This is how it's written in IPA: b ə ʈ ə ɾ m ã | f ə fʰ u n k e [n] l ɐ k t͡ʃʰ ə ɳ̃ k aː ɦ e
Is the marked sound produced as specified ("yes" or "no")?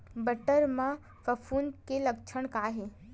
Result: no